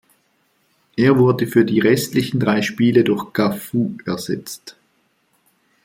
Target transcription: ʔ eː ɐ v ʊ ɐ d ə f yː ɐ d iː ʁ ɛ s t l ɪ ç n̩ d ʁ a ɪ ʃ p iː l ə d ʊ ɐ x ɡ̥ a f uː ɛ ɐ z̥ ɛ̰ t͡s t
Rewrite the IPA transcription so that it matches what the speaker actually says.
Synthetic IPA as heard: ʔ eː ɐ v ʊ ɐ d ə f yː ɐ d iː ʁ ɛ s t l ɪ ç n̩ d ʁ a ɪ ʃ p iː l ə d ʊ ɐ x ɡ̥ a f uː ɛ ɐ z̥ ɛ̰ t͡s t